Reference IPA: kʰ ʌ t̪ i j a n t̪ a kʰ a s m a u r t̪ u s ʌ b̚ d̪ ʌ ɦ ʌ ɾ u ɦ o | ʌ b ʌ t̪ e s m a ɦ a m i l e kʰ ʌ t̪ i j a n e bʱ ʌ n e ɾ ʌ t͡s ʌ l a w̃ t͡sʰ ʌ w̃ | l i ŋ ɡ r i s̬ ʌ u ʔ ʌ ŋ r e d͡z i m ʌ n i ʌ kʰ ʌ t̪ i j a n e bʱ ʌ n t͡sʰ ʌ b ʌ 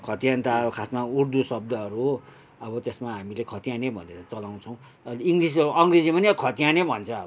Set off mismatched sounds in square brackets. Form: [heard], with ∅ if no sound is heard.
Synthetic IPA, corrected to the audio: kʰ ʌ t̪ i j a n t̪ a kʰ a s m a u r [d̪] u s ʌ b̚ d̪ ʌ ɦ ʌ ɾ u ɦ o | ʌ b ʌ t̪ e s m a ɦ a m i l e kʰ ʌ t̪ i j a n e bʱ ʌ n e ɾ ʌ t͡s ʌ l a w̃ t͡sʰ ʌ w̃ | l i ŋ ɡ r i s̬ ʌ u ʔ ʌ ŋ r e d͡z i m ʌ n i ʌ kʰ ʌ t̪ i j a n e bʱ ʌ n t͡sʰ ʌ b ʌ